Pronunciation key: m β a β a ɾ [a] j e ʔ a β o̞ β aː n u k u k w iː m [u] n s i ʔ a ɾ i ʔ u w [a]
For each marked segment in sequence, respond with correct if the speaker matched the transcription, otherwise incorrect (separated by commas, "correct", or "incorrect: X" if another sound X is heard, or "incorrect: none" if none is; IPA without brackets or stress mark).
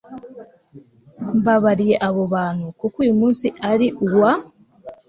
incorrect: i, incorrect: uː, correct